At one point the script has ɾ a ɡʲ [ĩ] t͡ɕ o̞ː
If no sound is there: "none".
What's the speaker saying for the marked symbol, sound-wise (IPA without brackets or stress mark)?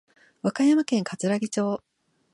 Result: i